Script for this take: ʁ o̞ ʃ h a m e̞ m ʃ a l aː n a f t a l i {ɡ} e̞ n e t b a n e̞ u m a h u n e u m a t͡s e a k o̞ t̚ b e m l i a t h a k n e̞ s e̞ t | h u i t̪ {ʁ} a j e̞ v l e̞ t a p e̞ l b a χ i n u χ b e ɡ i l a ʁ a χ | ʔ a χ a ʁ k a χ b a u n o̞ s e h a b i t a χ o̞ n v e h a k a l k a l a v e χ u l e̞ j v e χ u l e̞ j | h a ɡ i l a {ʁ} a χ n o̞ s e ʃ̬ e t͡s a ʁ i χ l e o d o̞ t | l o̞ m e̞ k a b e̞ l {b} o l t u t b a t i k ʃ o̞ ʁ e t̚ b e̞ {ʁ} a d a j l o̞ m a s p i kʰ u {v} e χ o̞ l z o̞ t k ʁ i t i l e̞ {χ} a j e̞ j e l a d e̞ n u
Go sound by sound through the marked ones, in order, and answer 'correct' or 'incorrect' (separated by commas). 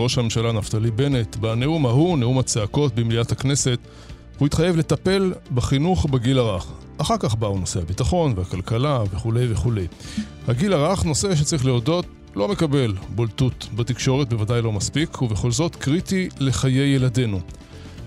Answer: incorrect, incorrect, correct, correct, incorrect, correct, correct